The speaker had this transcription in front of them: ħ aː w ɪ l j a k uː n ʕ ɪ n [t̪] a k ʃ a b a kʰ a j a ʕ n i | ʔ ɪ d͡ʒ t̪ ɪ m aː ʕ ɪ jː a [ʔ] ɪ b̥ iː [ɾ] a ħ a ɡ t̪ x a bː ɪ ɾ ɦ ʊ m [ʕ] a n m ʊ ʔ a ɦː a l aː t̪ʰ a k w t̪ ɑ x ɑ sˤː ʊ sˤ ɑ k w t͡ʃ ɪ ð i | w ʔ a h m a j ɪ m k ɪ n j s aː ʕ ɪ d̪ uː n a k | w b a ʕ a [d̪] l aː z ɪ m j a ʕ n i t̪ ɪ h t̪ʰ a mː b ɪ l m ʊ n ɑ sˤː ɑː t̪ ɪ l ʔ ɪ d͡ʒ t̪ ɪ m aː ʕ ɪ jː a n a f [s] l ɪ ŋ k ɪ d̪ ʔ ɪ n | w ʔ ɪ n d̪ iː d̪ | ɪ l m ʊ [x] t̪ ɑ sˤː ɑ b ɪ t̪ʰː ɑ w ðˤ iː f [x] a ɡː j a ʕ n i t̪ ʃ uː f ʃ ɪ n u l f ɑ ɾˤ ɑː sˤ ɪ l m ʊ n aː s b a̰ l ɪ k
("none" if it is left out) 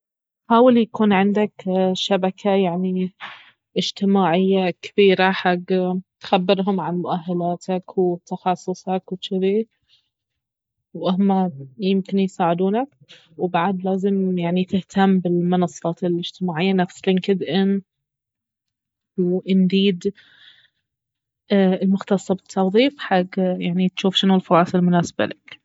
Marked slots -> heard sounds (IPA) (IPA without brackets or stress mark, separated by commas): d̪, k, ɾ, ʕ, d̪, s, x, ħ